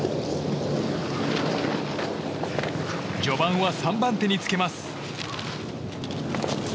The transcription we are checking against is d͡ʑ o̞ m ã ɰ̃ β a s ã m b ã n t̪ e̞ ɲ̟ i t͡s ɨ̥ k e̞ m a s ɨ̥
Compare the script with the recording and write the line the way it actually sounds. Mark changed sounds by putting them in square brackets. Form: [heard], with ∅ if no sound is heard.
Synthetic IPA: d͡ʑ o̞ [b] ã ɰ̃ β a s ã m b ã n t̪ e̞ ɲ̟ i t͡s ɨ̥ k e̞ m a s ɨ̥